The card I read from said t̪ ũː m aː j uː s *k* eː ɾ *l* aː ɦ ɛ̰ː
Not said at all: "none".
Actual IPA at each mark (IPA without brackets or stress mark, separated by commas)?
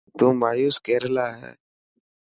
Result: k, l